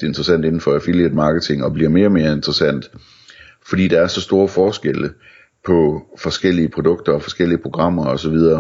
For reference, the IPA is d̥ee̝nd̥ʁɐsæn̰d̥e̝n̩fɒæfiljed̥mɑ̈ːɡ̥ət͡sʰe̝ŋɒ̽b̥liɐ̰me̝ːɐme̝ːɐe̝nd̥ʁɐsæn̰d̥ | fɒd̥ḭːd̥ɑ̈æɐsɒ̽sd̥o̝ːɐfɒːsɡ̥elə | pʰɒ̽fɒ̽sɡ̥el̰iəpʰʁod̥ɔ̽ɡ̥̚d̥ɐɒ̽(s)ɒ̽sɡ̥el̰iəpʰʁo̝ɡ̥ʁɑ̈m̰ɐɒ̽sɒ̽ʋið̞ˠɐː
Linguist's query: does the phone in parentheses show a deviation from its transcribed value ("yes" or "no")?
yes